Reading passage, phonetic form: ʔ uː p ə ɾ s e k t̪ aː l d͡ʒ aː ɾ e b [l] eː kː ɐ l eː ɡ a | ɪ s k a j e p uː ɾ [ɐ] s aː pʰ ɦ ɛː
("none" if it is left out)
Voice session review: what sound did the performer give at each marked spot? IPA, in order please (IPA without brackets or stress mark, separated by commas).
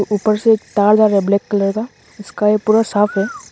l, a